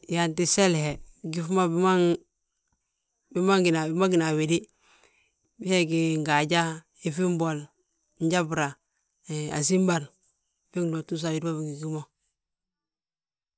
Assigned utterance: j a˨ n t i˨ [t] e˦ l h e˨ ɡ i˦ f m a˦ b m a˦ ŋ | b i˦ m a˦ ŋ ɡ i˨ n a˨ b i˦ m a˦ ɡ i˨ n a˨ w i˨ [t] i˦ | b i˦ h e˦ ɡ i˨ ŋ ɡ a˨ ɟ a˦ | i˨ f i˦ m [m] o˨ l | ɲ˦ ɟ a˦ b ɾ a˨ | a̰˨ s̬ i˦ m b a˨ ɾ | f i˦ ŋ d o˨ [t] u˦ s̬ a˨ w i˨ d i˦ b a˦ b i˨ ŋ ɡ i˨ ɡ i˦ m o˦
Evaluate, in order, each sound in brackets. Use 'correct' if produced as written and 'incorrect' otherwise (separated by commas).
incorrect, incorrect, incorrect, correct